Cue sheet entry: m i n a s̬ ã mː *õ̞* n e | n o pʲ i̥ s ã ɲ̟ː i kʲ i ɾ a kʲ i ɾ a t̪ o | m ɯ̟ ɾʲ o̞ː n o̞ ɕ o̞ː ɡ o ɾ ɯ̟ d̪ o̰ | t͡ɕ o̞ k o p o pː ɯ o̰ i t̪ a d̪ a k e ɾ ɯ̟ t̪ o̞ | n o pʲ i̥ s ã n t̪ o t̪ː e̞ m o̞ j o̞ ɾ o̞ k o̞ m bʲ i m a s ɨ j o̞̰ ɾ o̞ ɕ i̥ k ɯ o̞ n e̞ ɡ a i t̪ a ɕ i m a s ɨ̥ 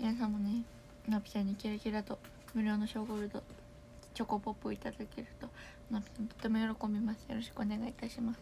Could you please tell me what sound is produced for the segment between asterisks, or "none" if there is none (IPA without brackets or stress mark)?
o̞